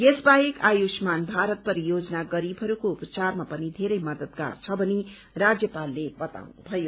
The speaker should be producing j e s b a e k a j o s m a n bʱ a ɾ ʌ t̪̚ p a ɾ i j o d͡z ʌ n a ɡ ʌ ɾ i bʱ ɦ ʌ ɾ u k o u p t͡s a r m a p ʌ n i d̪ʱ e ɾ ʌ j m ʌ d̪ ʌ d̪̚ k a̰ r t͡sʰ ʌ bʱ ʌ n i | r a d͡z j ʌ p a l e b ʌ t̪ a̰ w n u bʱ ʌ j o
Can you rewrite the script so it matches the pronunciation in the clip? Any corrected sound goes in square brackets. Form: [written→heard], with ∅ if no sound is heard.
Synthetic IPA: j e s b a e k a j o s m a n bʱ a ɾ ʌ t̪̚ p [a→ʌ] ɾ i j o d͡z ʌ n a ɡ ʌ ɾ i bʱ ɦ ʌ ɾ u k o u p t͡s a r m a p ʌ n i d̪ʱ e ɾ ʌ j m ʌ d̪ ʌ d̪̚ [k→ɡ] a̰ r t͡sʰ ʌ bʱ ʌ n i | r a d͡z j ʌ p a [l→lː] e b ʌ t̪ a̰ w n u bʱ ʌ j o